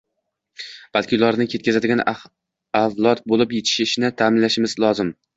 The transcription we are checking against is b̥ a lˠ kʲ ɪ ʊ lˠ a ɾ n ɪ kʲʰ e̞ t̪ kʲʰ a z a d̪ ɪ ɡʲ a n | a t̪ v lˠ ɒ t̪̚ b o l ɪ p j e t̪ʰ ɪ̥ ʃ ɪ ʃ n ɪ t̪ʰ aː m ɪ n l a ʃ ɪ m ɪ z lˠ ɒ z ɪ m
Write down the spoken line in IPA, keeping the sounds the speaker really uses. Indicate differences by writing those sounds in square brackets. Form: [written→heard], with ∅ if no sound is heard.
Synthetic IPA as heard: b̥ a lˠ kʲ ɪ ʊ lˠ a ɾ n ɪ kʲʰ e̞ t̪ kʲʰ a z a d̪ ɪ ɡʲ a n | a [t̪→∅] v lˠ ɒ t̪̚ b o l ɪ p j e t̪ʰ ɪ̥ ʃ ɪ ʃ n ɪ t̪ʰ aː m ɪ n l a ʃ ɪ m ɪ z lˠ ɒ z ɪ m